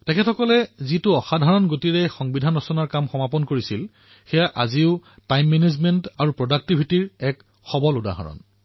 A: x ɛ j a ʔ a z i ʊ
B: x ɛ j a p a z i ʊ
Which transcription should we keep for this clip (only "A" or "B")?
A